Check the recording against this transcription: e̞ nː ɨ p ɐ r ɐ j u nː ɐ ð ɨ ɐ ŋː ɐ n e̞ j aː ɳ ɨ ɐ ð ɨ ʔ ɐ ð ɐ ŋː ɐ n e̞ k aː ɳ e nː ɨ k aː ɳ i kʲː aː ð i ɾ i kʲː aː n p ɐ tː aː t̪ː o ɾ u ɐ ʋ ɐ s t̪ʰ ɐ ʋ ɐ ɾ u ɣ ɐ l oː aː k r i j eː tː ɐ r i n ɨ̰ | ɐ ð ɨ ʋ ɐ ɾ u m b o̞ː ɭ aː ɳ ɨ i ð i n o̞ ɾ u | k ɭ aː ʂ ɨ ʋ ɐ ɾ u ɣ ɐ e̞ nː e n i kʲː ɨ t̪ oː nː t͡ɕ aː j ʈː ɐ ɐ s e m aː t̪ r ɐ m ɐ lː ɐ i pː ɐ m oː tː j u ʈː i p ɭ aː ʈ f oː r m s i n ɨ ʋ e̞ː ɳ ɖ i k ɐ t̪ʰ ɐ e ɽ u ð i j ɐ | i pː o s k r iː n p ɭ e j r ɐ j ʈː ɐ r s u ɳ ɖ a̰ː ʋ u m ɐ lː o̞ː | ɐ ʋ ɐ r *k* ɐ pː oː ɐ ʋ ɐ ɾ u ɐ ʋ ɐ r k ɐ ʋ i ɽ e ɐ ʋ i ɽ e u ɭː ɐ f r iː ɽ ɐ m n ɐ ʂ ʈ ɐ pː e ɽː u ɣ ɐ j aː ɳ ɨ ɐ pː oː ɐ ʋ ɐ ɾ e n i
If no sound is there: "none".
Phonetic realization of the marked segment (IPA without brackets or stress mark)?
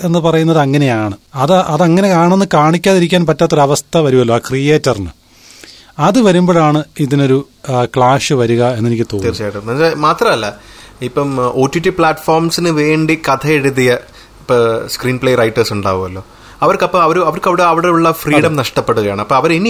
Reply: k